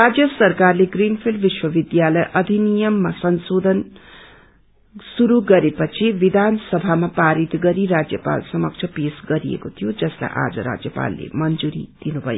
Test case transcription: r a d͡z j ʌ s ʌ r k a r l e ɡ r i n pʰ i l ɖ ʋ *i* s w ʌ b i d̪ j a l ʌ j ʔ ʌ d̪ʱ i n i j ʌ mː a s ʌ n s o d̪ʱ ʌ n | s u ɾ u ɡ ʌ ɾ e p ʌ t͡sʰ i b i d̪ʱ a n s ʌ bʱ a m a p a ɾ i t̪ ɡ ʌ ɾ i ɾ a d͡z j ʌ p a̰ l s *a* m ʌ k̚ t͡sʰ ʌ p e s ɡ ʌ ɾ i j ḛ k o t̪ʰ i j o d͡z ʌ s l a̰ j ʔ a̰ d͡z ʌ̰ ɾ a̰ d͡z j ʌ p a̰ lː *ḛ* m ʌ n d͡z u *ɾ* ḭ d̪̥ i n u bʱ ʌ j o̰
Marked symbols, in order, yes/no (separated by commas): yes, no, yes, yes